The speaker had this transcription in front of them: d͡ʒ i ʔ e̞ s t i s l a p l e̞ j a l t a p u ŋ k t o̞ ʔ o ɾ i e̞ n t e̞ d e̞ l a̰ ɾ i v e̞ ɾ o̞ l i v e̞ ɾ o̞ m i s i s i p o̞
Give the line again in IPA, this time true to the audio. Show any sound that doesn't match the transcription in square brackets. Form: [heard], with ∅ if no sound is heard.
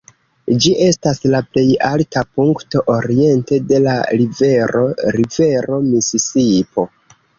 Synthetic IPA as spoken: d͡ʒ i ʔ e̞ s t [a] s l a p l e̞ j a l t a p u ŋ k t o̞ ʔ o ɾ i e̞ n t e̞ d e̞ l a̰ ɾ i v e̞ ɾ o̞ [ɾ] i v e̞ ɾ o̞ m i s i s i p o̞